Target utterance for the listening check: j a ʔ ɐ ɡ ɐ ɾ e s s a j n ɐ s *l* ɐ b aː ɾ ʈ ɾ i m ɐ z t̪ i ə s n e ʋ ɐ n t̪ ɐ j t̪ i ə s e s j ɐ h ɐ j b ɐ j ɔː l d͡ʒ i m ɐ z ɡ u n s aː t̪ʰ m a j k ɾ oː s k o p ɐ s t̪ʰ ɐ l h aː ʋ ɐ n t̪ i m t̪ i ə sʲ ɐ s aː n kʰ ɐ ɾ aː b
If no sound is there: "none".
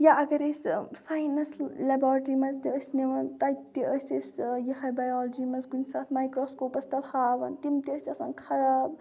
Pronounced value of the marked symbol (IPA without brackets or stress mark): l